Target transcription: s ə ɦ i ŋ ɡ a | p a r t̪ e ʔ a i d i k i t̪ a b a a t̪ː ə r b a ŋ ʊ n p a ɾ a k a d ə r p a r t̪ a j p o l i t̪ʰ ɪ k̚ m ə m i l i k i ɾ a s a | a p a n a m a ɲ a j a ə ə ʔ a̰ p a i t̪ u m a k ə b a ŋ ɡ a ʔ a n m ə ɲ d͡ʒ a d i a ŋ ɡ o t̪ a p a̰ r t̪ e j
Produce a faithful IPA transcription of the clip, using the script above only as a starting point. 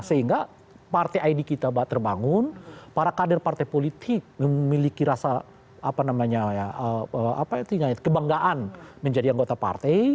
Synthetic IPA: s ə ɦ i ŋ ɡ a | p a r t̪ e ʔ a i d i k i t̪ a b a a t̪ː ə r b a ŋ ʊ n p a ɾ a k a d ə r p a r t̪ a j p o l i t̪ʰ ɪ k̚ m ə m i l i k i ɾ a s a | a p a n a m a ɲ a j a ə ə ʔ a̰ p a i t̪ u ɲ a k ə b a ŋ ɡ a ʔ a n m ə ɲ d͡ʒ a d i a ŋ ɡ o t̪ a p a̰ r t̪ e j